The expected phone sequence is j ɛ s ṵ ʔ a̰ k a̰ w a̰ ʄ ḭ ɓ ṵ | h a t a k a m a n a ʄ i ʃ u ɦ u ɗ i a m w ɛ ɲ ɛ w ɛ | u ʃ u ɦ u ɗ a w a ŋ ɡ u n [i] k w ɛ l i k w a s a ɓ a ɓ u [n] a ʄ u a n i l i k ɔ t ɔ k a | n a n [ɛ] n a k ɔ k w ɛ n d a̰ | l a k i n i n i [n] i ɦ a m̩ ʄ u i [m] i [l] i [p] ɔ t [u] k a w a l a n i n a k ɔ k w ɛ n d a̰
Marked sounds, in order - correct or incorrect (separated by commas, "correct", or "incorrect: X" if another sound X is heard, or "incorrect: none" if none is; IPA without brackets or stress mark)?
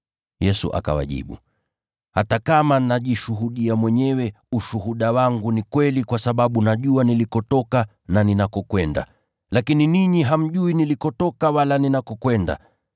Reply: correct, correct, incorrect: i, incorrect: ɲ, incorrect: n, correct, incorrect: k, incorrect: ɔ